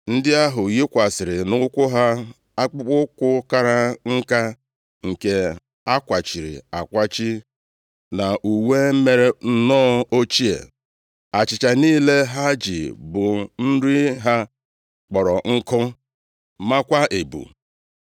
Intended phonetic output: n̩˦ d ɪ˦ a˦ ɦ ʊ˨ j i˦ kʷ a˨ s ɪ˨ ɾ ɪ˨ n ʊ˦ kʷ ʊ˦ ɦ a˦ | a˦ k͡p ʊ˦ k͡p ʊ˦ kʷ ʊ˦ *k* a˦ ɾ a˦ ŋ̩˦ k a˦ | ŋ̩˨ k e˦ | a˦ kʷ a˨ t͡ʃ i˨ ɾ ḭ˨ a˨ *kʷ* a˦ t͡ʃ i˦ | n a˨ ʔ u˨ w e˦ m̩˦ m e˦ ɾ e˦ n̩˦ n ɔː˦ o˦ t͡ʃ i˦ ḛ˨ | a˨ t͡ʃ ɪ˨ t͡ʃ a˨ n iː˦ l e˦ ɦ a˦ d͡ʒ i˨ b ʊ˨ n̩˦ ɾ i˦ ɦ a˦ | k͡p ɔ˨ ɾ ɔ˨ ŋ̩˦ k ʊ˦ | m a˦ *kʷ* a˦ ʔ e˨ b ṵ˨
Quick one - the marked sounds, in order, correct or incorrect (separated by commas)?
correct, correct, correct